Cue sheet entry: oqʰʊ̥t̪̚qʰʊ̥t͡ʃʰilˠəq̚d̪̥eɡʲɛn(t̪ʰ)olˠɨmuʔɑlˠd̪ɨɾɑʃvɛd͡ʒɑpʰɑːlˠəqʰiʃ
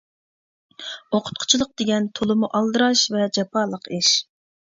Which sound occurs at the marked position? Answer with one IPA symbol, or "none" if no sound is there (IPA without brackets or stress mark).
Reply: t̪ʰ